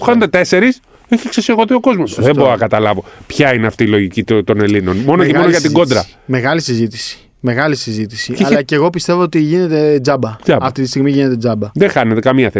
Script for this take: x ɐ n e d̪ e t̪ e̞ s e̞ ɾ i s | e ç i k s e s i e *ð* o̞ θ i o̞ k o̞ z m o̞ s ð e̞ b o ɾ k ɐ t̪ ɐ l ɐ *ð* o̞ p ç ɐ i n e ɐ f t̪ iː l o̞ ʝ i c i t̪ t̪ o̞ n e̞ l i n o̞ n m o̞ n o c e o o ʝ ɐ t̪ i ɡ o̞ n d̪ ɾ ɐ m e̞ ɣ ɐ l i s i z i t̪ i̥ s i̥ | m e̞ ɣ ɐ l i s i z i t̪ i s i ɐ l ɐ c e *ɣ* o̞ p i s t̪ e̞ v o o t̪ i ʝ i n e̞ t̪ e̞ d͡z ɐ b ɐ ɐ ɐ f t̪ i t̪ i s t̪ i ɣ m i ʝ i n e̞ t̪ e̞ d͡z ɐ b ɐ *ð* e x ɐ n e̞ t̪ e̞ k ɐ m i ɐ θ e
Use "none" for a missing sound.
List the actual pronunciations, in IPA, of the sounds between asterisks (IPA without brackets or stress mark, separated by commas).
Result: ɣ, v, ɣ, ð